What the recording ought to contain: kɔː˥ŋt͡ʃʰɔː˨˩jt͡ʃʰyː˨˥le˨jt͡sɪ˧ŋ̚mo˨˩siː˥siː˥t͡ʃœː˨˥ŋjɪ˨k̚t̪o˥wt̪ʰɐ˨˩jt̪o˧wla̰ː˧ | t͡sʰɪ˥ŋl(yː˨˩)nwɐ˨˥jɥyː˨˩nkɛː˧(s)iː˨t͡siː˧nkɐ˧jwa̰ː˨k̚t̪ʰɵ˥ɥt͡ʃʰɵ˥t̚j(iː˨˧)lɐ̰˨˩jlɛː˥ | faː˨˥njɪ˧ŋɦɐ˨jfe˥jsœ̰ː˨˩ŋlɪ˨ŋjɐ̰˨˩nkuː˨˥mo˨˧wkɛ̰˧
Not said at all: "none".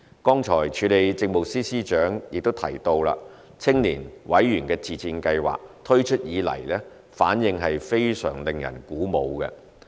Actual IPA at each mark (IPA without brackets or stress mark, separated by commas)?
iː˨˩, t͡s, iː˨˧